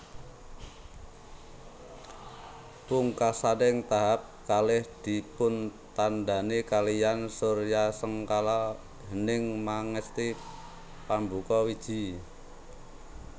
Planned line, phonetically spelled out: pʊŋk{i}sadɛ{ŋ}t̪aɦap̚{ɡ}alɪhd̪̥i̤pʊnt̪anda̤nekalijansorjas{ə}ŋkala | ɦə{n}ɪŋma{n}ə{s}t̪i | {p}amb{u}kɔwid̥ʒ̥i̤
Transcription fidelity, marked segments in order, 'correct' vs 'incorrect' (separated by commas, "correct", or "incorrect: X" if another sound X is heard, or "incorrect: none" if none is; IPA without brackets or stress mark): incorrect: a, correct, incorrect: k, correct, correct, incorrect: ŋ, correct, correct, correct